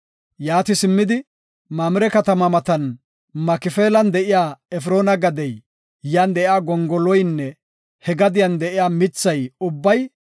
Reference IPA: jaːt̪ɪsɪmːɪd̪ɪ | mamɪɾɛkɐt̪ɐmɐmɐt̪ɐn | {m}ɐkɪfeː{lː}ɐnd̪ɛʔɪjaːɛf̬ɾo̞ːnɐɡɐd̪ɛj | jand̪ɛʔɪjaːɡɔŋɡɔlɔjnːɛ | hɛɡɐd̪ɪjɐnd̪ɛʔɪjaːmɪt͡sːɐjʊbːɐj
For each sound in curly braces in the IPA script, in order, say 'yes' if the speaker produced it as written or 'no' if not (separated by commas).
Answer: yes, no